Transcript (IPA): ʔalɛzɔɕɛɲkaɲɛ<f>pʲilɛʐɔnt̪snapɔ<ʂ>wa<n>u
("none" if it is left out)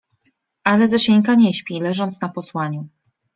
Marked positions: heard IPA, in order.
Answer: ɕ, s, ɲ

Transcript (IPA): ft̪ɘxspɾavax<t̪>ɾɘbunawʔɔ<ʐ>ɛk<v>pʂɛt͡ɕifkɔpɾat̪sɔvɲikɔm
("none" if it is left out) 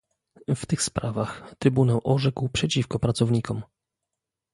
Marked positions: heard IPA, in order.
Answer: t̪, ʐ, w

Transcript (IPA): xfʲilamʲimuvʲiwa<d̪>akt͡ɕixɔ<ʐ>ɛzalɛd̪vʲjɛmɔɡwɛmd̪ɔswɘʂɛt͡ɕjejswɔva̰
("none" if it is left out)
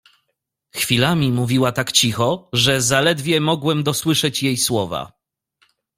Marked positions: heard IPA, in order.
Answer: t̪, ʐ

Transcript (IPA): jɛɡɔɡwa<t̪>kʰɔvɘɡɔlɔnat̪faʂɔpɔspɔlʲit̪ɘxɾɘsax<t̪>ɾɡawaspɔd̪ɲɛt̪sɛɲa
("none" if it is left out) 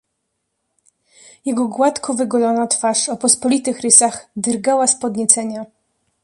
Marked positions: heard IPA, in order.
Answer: t̪, d̪

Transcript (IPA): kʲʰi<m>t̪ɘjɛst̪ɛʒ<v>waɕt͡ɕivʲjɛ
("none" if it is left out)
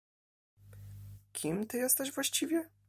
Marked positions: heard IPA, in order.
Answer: m, v

